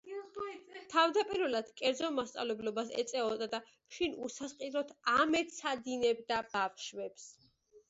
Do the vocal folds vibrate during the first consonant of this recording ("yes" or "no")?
no